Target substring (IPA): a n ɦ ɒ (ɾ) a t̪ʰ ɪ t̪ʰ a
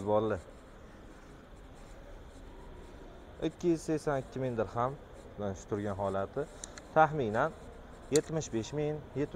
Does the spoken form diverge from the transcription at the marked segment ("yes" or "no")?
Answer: yes